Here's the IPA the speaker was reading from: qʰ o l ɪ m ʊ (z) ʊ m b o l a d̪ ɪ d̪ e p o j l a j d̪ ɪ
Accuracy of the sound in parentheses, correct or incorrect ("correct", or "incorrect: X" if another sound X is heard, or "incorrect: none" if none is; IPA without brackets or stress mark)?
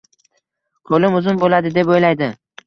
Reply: correct